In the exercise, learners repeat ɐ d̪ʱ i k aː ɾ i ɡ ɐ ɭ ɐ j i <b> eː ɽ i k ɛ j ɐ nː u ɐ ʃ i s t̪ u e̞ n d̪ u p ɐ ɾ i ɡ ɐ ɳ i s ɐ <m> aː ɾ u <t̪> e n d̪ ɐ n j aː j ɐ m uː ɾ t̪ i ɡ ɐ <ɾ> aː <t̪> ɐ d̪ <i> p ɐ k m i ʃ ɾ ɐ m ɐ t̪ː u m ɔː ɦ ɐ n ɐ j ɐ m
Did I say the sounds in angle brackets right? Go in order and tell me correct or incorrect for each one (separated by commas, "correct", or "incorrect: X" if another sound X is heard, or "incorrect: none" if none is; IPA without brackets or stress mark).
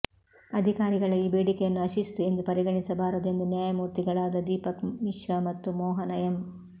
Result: correct, incorrect: b, incorrect: d̪, incorrect: ɭ, incorrect: d̪, incorrect: iː